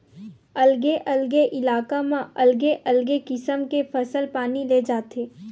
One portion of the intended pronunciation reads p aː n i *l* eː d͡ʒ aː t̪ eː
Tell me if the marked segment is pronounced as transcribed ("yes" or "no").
yes